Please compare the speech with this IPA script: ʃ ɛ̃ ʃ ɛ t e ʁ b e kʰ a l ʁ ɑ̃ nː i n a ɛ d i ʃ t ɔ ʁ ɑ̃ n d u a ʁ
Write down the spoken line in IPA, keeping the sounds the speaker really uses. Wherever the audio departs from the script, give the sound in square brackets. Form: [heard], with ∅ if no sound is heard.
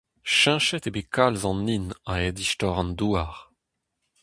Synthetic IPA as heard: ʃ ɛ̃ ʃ ɛ t e [∅] b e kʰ a l [z] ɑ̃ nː i n a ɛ d i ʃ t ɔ ʁ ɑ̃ n d u a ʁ